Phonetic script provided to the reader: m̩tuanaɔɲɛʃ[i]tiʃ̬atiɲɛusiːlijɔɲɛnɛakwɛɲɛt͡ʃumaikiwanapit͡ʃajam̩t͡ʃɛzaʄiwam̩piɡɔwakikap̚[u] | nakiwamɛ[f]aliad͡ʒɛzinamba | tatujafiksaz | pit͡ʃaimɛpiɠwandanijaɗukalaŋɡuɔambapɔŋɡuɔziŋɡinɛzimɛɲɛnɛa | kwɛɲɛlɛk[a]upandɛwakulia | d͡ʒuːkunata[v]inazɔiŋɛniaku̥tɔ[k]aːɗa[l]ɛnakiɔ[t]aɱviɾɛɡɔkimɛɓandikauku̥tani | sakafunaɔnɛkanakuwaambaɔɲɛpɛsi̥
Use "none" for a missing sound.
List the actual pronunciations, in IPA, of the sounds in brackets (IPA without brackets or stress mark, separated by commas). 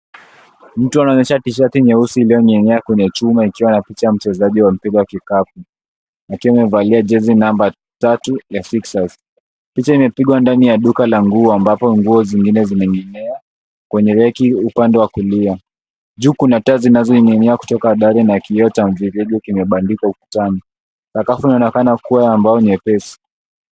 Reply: a, u, v, i, z, k, ɾ, t